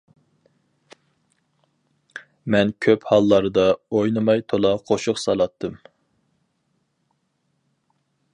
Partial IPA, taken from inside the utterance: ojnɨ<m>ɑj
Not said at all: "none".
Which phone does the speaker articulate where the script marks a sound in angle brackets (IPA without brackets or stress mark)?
m